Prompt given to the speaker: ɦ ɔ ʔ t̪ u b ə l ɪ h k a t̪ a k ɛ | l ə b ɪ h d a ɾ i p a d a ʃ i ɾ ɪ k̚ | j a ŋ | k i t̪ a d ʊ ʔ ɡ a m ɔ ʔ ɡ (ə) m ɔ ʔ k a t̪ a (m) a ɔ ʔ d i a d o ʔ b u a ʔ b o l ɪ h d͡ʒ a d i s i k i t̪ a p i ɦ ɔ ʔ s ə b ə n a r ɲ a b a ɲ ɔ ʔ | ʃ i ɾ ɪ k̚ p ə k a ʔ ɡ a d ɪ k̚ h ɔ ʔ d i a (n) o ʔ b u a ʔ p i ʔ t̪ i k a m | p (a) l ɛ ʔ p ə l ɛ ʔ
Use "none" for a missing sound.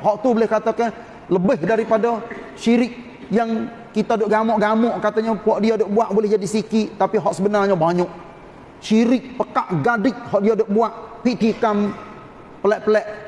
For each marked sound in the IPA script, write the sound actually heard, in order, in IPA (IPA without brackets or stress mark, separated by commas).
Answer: a, ɲ, d, ə